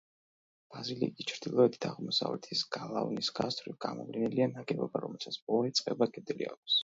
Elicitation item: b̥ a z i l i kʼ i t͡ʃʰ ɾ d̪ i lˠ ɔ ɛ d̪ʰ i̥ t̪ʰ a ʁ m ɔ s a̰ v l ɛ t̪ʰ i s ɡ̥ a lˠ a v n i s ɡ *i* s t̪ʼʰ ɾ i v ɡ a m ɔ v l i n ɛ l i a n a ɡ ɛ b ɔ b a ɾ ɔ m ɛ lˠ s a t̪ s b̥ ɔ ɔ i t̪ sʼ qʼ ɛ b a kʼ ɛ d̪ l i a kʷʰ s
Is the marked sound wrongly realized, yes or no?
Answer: yes